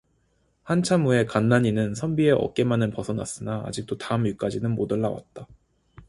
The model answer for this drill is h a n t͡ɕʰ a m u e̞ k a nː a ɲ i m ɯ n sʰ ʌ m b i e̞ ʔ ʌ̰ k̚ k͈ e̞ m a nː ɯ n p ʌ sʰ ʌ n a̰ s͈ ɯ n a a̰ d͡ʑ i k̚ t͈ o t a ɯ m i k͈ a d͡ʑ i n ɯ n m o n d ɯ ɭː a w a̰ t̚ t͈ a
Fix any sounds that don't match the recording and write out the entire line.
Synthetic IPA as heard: h a n t͡ɕʰ a m u e̞ k a nː a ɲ i n ɯ n sʰ ʌ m b i e̞ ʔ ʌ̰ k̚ k͈ e̞ m a n ɯ n p ʌ sʰ ʌ n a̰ s͈ ɯ n a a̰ d͡ʑ i k̚ t͈ o t a ɯ m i k͈ a d͡ʑ i n ɯ n m o d ɯ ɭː a w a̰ t̚ t͈ a